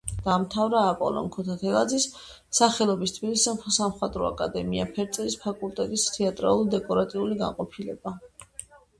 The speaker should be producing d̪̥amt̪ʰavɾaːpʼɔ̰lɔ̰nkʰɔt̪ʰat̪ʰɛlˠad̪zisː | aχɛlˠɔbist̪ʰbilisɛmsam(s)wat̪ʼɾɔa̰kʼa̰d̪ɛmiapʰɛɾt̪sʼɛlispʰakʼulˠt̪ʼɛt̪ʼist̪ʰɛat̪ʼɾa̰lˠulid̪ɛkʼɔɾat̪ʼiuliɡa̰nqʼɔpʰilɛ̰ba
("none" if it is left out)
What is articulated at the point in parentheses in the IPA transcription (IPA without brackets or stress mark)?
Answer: χ